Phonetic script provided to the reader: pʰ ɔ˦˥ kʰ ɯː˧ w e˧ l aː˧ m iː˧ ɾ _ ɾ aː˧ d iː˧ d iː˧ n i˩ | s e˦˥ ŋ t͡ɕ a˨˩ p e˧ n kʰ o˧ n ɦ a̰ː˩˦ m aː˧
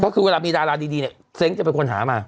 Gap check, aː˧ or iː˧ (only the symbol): aː˧